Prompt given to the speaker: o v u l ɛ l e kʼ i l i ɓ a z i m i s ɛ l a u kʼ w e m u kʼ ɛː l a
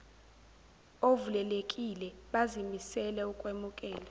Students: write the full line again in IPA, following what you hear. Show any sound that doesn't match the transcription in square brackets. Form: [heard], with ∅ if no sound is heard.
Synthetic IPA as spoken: o v u l ɛ l e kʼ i l [ɛ] ɓ a z i m i s ɛ l [ɛ] u kʼ w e m u kʼ ɛː l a